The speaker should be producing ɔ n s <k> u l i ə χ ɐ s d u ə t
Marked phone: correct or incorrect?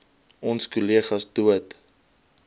correct